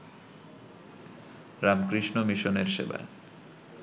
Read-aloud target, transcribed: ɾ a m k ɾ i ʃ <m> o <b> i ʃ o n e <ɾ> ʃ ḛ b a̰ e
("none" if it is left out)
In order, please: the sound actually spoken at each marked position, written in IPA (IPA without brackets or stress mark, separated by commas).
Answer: n, m, ɾ